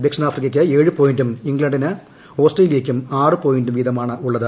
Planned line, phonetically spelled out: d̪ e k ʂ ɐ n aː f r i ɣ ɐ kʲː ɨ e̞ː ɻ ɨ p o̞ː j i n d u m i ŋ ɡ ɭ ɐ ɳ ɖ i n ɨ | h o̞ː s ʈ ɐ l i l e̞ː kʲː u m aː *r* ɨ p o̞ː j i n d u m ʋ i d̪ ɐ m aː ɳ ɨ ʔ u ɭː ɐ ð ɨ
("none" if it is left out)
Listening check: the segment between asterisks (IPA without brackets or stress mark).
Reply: r